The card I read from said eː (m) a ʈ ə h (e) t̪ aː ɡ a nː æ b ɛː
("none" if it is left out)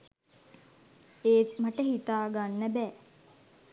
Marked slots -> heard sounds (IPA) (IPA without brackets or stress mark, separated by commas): m, i